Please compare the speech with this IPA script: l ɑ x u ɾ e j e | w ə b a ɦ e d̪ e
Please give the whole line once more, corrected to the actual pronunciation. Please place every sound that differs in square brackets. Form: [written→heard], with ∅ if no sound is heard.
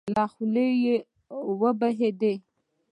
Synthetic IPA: l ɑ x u [ɾ→l] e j e | w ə b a ɦ e d̪ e

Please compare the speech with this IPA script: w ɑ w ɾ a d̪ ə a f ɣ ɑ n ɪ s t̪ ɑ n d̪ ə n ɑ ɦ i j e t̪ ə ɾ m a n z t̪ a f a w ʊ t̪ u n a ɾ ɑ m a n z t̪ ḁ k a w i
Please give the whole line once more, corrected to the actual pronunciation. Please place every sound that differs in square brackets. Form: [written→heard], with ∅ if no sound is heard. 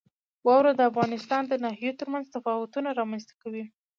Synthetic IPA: w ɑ w ɾ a d̪ ə a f ɣ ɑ n ɪ s t̪ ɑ n d̪ ə n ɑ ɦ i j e t̪ ə ɾ m a n z t̪ a f [a→ɑ] w ʊ t̪ u n a ɾ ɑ m a n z t̪ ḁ k a w i

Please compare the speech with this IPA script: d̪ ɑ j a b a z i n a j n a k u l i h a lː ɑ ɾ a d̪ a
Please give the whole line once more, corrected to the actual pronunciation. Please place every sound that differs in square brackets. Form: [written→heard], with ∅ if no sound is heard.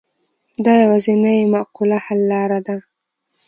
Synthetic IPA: d̪ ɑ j a [b→w] a z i n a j [n→m] a [k→q] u l [i→a] h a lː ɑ ɾ a d̪ a

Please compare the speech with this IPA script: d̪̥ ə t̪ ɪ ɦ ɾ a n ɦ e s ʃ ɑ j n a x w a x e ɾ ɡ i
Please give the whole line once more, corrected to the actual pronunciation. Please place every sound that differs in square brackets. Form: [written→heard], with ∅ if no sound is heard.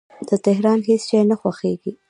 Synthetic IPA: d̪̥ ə t̪ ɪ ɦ ɾ [a→ɑ] n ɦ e s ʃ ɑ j n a x w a x e [ɾ→∅] ɡ i

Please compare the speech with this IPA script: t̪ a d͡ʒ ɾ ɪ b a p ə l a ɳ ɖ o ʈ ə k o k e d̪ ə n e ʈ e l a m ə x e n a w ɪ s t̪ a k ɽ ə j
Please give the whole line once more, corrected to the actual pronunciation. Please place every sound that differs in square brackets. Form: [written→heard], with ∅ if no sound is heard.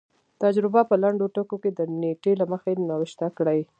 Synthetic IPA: t̪ a d͡ʒ ɾ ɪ b a p ə l a ɳ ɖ o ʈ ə k o k e d̪ ə n e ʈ e l a m ə x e n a w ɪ [s→ʃ] t̪ a k ɽ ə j

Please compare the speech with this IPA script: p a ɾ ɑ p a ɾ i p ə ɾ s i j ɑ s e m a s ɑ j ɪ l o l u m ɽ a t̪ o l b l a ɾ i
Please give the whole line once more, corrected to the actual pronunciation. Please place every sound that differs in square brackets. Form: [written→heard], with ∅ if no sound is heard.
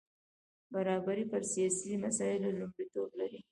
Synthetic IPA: [p→b] a ɾ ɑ [p→b] a ɾ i p ə ɾ s i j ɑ s [e→i] m a s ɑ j ɪ l o l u m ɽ [a→i] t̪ o [l→∅] b l a ɾ i

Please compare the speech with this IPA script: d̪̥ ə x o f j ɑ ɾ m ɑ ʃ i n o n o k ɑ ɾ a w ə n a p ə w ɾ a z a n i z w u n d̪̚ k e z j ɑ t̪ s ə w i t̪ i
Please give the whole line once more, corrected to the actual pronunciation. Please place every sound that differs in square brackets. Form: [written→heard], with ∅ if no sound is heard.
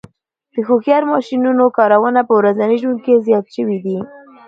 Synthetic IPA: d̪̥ ə x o [f→x] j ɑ ɾ m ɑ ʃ i n [o→u] n o k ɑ ɾ a w ə n a p ə w ɾ a z a n i [z→ʒ] w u n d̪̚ k e z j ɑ t̪ [s→ʃ] ə w i [t̪→d̪] i

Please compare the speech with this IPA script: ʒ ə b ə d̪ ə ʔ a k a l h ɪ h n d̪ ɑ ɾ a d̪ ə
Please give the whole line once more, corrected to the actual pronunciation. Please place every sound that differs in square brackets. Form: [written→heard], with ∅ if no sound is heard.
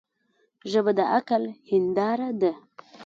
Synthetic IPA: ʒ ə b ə d̪ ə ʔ a k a l h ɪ [h→∅] n d̪ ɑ ɾ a d̪ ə

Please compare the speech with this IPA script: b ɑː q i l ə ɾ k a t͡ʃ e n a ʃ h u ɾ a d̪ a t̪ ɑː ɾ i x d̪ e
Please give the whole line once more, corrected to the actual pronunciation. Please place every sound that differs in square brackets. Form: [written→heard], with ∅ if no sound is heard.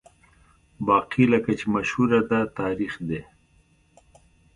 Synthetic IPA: b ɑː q i l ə [ɾ→∅] k a t͡ʃ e [n→m] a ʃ h u ɾ a d̪ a t̪ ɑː ɾ i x d̪ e

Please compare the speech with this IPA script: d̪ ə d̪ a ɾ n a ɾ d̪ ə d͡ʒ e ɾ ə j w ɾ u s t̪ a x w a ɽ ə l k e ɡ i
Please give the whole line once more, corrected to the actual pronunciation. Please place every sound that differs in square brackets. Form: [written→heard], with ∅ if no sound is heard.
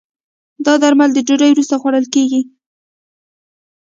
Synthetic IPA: d̪ [ə→ɑ] d̪ a ɾ [n→m] a [ɾ→l] d̪ ə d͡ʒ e ɾ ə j w ɾ u s t̪ a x w a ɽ ə l k e ɡ i

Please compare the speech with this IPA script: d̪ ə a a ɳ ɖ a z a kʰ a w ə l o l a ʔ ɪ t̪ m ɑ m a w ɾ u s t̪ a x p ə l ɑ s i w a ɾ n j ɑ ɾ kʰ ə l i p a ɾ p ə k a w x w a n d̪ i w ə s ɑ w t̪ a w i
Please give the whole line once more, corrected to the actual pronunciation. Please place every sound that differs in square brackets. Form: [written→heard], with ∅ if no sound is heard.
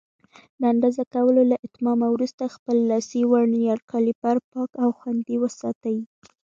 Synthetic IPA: d̪ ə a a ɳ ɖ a z a [kʰ→k] a w ə l o l a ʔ ɪ t̪ m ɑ m a w ɾ u s t̪ a x p ə [l→lː] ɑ s i w a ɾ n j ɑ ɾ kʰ [ə→ɑ] l i p a ɾ p [ə→ɑ] k a w x w a n d̪ i w ə s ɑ [w→∅] t̪ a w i

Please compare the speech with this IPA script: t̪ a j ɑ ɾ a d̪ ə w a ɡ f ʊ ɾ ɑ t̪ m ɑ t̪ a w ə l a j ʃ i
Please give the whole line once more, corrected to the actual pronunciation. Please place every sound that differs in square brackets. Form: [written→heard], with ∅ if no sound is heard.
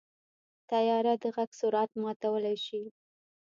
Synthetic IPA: t̪ a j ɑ ɾ a d̪ ə [w→ɣ] a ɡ [f→s] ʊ ɾ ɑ t̪ m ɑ t̪ a w ə l a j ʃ i

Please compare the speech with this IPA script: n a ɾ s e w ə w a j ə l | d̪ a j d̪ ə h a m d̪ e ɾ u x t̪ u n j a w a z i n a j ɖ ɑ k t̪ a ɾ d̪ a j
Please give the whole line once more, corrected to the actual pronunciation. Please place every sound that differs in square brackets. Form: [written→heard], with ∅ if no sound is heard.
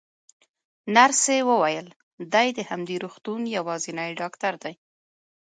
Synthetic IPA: n a ɾ s e w ə w a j ə l | d̪ a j d̪ ə h a m d̪ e ɾ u x t̪ u n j a w [a→ɑ] z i n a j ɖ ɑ k t̪ a ɾ d̪ a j

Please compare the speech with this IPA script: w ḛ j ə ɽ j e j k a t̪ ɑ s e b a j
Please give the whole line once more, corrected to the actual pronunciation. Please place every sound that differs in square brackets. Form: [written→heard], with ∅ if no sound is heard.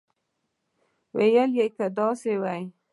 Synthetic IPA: w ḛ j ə [ɽ→l] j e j k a [t̪→d̪] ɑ s e [b→w] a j

